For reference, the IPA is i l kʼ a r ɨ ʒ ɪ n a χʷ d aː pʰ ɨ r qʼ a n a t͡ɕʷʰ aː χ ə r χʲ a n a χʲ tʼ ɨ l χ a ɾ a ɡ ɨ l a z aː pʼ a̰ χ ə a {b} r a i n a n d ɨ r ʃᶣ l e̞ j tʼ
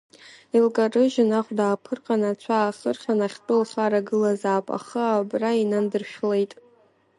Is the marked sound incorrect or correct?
correct